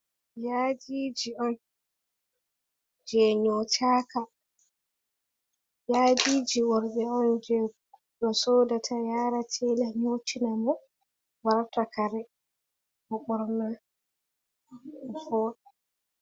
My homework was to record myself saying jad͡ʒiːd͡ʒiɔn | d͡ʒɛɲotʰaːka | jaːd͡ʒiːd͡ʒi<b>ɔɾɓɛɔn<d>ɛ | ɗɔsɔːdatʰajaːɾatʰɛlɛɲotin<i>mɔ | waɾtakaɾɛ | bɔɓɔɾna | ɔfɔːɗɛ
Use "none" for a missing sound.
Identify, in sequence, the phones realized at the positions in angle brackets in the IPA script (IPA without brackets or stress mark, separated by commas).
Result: w, d͡ʒ, a